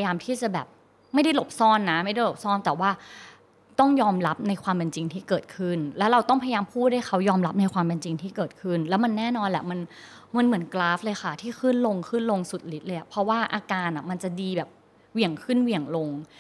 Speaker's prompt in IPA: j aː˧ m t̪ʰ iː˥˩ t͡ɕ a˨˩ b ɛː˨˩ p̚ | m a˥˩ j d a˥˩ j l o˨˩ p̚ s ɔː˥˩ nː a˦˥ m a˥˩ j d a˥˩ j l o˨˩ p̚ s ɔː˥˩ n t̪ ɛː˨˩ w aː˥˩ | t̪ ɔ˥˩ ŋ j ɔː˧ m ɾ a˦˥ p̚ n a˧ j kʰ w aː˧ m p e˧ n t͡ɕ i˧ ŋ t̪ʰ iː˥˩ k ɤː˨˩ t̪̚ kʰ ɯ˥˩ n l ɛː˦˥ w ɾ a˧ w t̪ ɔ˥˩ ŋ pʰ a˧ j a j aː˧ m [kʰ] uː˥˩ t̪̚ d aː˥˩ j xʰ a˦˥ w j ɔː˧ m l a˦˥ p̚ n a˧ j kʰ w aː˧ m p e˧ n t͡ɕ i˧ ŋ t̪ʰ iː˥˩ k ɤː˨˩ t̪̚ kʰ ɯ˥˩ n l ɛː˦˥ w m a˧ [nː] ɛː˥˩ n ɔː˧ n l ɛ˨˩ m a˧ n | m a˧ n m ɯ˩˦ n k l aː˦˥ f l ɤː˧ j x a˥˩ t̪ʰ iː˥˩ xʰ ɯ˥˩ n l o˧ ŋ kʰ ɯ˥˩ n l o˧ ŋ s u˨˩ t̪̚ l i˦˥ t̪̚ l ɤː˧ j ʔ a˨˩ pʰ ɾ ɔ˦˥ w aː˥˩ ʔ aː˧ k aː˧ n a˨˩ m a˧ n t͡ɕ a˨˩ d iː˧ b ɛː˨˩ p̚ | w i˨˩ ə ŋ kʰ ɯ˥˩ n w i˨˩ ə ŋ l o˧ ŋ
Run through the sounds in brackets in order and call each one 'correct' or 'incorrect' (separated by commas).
incorrect, correct